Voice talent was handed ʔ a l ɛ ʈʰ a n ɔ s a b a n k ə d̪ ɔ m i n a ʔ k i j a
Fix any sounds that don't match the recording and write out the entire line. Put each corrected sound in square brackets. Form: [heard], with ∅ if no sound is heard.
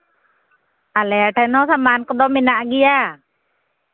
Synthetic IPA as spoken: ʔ a l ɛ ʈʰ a n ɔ s a [m] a n k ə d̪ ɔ m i n a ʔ [ɡ] i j a